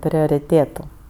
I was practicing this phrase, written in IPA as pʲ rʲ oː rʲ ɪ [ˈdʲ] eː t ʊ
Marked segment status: incorrect: tʲ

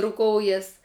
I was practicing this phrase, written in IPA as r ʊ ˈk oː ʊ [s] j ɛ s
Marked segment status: incorrect: none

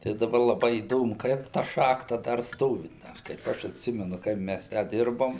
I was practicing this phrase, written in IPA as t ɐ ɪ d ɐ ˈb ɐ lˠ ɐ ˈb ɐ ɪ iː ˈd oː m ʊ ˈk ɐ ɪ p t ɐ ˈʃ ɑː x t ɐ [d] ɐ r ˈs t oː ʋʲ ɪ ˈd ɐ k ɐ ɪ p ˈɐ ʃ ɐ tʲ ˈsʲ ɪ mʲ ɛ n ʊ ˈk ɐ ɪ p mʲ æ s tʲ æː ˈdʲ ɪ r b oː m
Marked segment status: correct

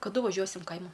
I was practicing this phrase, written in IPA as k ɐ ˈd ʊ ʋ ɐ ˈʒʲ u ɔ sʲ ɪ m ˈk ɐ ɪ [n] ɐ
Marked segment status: incorrect: m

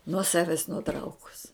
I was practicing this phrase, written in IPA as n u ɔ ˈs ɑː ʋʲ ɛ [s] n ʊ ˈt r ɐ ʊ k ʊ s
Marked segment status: correct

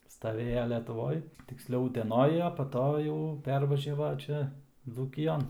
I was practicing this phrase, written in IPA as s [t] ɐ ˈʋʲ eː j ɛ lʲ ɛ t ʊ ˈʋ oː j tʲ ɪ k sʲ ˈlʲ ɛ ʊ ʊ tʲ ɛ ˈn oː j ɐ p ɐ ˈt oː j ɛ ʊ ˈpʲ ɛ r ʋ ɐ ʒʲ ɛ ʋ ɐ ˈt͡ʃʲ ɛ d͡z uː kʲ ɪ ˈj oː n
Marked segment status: correct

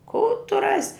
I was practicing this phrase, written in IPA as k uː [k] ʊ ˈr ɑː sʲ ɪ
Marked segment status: incorrect: t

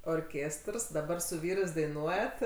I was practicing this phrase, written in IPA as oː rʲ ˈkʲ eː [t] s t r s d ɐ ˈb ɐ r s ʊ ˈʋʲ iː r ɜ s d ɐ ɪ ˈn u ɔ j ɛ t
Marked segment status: incorrect: none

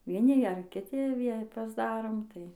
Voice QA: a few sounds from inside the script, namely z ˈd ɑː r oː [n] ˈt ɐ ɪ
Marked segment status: incorrect: m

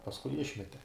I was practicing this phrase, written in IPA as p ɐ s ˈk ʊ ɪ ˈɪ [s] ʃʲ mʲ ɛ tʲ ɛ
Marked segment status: incorrect: none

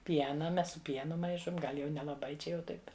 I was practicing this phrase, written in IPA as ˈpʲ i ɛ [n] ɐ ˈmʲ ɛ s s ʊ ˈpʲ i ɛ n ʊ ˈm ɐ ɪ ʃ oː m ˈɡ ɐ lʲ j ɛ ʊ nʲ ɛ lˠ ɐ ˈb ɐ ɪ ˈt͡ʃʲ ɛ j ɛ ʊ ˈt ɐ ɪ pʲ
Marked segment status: correct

